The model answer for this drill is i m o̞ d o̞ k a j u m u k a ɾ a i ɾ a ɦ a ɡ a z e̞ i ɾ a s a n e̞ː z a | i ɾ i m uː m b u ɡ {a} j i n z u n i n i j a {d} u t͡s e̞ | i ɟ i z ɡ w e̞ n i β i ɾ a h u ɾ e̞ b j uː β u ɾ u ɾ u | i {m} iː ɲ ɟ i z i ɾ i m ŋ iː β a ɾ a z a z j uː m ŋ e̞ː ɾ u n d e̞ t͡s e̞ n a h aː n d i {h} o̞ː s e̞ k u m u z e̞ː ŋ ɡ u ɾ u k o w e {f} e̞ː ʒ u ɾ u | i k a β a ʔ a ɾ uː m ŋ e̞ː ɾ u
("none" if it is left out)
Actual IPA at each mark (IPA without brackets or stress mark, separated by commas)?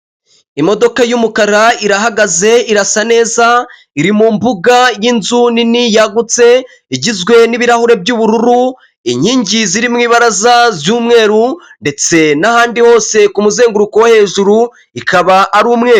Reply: a, ɡ, ɲ, h, h